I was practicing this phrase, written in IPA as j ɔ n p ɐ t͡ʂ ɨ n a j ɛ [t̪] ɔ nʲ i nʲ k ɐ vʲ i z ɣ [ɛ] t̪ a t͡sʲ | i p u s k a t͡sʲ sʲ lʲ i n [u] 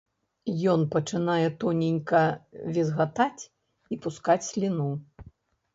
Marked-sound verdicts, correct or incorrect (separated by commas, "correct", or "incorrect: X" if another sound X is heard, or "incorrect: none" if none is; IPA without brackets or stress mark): correct, incorrect: a, correct